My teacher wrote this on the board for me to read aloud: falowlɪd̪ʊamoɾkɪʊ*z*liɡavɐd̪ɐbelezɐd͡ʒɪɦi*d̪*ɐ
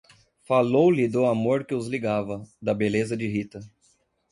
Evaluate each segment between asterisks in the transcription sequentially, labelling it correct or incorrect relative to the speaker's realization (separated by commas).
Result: correct, incorrect